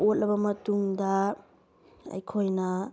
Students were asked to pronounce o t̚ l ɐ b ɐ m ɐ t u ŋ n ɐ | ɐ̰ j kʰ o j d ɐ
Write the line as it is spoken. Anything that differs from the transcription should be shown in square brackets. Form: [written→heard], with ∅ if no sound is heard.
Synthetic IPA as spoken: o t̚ l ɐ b ɐ m ɐ t u ŋ [n→d] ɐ | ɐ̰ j kʰ o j [d→n] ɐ